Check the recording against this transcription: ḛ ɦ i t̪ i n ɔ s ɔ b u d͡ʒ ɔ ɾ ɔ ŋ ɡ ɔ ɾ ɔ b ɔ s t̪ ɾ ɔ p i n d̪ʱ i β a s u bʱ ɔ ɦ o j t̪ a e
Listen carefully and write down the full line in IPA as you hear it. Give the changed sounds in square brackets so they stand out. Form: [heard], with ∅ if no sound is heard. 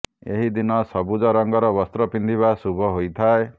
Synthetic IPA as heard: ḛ ɦ i [d̪] i n ɔ s ɔ b u d͡ʒ ɔ ɾ ɔ ŋ ɡ ɔ ɾ ɔ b ɔ s t̪ ɾ ɔ p i n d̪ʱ i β a s u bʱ ɔ ɦ o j [t̪ʰ] a e